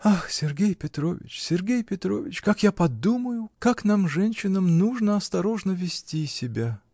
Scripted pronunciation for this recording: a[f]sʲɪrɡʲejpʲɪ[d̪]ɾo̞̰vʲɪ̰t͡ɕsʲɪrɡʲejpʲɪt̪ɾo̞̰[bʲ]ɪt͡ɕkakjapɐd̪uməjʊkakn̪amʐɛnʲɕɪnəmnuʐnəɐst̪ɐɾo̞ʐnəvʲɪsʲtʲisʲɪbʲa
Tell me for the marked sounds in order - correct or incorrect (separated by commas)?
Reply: incorrect, incorrect, incorrect